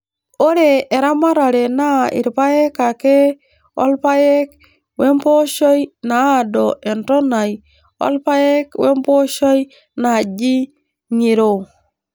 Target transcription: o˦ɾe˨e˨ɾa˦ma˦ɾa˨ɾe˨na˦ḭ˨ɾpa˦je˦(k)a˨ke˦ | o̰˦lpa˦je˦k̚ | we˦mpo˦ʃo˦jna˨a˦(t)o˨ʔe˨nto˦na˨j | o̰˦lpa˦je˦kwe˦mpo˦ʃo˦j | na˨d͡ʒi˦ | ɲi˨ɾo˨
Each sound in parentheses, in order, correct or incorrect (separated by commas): correct, incorrect